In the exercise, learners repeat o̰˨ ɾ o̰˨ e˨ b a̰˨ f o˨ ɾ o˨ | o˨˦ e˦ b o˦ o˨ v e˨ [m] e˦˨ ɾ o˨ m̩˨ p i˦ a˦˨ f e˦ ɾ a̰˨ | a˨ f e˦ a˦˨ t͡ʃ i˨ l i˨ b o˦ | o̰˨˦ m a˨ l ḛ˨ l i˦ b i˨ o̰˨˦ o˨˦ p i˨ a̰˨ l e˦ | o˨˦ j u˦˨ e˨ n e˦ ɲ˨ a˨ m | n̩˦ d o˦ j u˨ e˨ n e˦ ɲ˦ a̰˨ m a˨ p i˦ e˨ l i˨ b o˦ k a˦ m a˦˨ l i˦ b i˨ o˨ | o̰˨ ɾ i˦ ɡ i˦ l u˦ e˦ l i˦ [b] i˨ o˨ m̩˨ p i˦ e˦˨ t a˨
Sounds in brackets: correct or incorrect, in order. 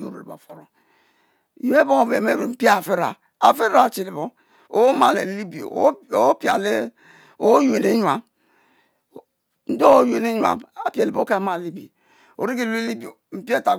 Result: correct, correct

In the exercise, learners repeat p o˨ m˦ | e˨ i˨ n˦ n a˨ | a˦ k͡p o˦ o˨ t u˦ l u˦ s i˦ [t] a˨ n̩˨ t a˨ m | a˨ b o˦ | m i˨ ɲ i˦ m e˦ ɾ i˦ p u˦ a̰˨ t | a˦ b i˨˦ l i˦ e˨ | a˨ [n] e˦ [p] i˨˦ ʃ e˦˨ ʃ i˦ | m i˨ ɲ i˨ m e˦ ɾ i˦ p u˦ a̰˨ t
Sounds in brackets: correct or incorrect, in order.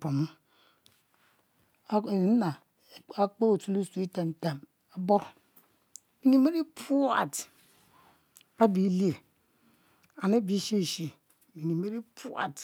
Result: correct, correct, incorrect: b

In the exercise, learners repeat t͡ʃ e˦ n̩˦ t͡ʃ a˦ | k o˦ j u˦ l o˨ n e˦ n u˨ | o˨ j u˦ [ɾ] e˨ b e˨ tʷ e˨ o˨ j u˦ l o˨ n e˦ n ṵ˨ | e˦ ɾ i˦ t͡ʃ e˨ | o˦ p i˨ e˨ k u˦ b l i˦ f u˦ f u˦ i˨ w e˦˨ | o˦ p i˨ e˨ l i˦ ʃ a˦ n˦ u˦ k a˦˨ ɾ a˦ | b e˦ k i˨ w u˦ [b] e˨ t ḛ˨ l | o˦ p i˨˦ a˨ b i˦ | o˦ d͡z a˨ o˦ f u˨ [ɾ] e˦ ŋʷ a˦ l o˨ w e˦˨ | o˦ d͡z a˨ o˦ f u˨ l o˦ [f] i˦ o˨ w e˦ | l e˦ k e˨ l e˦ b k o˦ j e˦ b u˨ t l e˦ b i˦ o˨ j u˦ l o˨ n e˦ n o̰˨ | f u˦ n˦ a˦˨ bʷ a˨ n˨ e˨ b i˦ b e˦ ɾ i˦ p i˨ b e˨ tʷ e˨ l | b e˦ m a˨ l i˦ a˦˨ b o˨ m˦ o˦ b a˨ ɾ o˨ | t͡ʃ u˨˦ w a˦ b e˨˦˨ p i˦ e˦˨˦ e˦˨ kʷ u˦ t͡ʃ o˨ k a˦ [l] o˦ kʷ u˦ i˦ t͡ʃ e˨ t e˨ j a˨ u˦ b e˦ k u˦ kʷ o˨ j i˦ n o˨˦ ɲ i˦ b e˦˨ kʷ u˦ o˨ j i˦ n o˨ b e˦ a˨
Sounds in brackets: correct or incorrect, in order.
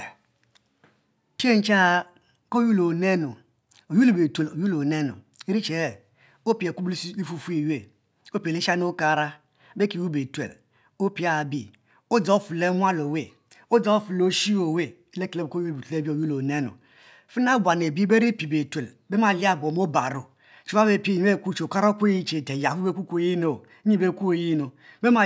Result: incorrect: l, correct, incorrect: l, incorrect: ʃ, incorrect: ɾ

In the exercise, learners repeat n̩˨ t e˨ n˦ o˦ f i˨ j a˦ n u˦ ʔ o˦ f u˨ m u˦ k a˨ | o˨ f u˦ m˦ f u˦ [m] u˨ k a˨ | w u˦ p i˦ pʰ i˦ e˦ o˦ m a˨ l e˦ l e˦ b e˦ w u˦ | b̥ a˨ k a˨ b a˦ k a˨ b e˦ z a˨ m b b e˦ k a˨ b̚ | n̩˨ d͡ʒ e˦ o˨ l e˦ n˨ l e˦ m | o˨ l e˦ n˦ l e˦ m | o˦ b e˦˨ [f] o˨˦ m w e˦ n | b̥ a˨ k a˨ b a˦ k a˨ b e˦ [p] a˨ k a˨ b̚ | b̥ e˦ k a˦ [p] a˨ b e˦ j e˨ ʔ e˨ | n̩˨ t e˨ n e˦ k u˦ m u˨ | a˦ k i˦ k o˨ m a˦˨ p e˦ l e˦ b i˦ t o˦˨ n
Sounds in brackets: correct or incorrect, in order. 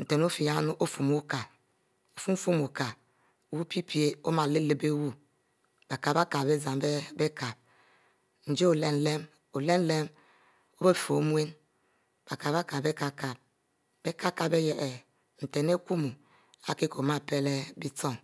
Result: correct, correct, incorrect: k, incorrect: k

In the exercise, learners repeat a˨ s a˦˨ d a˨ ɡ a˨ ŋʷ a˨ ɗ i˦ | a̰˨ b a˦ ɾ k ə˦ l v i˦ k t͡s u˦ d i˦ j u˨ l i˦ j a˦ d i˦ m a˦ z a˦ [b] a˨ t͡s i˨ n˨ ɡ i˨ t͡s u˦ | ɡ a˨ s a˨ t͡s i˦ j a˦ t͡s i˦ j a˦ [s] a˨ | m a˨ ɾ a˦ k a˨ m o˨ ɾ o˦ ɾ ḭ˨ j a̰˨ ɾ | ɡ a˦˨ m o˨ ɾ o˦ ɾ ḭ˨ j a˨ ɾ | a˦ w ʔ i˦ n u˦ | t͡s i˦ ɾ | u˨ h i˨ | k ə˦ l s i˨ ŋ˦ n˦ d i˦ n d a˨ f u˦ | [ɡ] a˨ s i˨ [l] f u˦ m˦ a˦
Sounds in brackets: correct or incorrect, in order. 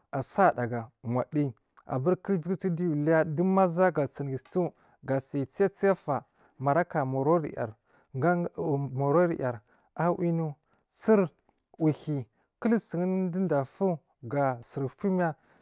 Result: incorrect: ɡ, incorrect: f, correct, incorrect: ɾ

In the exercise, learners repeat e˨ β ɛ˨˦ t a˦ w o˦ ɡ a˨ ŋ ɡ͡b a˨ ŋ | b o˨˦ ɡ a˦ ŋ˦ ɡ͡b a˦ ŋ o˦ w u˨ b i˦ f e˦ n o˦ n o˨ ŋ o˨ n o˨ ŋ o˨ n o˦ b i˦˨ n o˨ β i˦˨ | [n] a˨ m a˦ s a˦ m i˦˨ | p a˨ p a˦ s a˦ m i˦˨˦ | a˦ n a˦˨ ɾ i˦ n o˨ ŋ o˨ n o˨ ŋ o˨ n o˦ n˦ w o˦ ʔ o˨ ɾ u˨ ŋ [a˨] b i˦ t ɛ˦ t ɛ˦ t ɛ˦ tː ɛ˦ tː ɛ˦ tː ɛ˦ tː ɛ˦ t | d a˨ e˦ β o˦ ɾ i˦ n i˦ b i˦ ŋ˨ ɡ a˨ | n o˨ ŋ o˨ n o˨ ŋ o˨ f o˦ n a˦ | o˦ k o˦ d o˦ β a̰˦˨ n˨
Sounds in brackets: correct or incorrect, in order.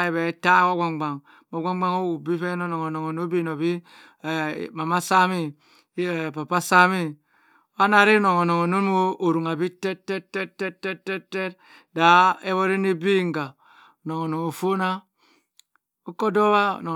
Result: incorrect: m, correct

